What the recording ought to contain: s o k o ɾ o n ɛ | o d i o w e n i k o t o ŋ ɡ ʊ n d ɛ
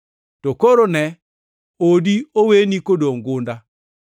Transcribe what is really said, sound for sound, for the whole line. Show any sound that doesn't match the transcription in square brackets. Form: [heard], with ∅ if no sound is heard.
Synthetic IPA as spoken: [t] o k o ɾ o n ɛ | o d i o w e n i k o [d] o ŋ ɡ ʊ n d [a]